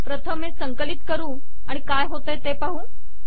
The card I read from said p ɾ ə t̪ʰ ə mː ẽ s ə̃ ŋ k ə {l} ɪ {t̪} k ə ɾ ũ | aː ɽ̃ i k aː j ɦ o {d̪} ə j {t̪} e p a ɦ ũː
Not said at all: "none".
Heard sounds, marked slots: l, t̪, t̪, t̪

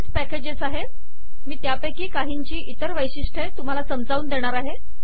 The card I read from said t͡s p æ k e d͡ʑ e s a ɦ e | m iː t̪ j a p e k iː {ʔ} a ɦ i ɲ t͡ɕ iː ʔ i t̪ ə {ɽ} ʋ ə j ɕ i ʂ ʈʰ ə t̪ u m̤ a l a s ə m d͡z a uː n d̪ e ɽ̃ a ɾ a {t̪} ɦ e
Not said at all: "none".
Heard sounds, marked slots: k, ɾ, none

